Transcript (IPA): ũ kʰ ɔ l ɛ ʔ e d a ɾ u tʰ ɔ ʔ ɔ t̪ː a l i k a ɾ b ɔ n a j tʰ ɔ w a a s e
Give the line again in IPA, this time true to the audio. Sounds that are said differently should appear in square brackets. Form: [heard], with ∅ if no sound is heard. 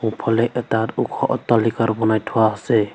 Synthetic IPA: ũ [pʰ] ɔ l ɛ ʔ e [t] a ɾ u [kʰ] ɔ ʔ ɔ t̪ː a l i k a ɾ b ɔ n a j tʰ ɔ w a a s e